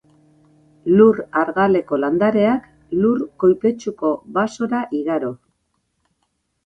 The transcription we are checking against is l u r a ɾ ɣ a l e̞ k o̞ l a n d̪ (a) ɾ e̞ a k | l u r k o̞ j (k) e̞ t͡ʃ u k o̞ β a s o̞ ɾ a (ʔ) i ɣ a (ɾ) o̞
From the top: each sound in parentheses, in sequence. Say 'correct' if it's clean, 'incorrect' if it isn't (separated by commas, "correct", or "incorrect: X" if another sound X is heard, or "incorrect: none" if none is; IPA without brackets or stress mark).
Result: correct, incorrect: p, correct, correct